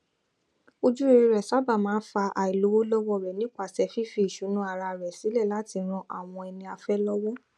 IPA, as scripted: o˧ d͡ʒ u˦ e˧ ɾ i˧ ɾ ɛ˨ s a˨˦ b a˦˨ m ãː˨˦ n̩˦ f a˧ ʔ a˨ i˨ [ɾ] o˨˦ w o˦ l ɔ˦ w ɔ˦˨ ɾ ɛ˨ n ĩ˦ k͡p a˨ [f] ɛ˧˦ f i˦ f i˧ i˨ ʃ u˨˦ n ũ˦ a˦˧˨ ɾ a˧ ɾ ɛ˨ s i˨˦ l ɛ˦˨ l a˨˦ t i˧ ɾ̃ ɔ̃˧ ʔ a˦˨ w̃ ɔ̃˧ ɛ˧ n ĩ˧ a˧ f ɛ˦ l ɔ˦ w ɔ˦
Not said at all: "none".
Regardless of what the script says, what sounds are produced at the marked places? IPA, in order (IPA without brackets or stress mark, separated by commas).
l, s